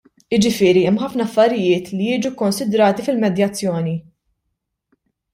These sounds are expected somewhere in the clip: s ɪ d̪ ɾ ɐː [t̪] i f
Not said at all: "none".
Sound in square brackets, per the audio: t̪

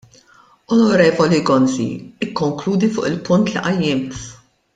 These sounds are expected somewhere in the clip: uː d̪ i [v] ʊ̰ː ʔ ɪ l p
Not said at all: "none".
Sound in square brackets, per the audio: f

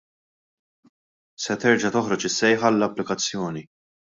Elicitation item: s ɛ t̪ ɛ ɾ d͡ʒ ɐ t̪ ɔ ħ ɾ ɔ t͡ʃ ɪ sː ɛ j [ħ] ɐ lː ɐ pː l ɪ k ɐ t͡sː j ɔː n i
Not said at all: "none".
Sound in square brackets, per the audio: ħ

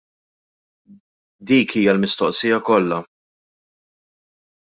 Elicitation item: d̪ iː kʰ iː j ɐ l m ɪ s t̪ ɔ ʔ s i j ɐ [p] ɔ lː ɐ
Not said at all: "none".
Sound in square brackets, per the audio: k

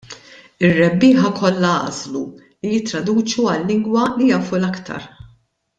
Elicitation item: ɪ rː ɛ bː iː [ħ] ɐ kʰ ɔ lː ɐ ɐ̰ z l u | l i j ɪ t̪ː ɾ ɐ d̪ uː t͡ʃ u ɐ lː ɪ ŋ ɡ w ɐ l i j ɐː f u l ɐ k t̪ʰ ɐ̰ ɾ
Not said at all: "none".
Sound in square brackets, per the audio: ħ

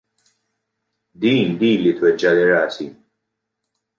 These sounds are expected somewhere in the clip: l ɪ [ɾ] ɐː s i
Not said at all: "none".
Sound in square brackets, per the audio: ɾ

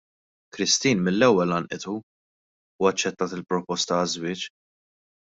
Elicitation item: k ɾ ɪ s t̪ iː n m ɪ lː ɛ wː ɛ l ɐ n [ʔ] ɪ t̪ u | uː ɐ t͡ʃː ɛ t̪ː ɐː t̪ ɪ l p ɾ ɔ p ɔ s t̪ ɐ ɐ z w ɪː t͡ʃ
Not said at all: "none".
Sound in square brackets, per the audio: ʔ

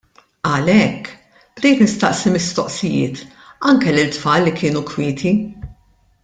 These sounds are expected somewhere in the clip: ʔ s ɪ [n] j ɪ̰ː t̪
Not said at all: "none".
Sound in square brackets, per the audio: none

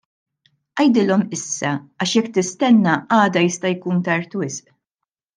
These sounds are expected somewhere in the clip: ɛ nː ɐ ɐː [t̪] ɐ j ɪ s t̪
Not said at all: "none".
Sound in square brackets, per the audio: d̪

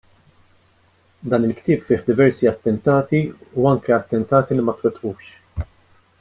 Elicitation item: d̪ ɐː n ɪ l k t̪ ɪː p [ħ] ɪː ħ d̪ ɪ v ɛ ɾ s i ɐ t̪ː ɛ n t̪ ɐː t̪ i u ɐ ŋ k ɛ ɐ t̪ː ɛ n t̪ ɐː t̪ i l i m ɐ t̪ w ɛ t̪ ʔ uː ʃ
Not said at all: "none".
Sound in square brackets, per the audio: f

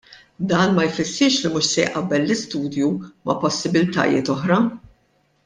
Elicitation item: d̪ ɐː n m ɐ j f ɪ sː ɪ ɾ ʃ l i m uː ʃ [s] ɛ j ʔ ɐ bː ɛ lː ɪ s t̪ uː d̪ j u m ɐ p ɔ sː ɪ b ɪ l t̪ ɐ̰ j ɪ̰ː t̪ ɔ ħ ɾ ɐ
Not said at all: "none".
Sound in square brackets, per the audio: s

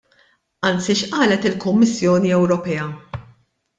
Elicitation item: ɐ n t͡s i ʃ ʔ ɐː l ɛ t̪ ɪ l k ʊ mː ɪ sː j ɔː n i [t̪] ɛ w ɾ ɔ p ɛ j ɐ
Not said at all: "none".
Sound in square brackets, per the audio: none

